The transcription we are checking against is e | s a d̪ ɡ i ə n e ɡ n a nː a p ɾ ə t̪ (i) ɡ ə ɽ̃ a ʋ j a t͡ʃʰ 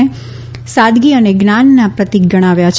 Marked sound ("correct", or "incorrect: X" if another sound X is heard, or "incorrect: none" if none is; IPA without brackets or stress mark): correct